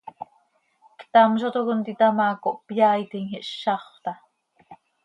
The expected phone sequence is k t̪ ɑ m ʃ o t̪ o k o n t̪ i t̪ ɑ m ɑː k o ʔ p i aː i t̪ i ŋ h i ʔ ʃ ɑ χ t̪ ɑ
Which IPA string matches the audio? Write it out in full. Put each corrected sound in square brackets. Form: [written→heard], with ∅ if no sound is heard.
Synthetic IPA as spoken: k t̪ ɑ m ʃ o t̪ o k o n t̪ i t̪ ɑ m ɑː k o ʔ p [i→j] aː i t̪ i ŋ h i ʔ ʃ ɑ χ t̪ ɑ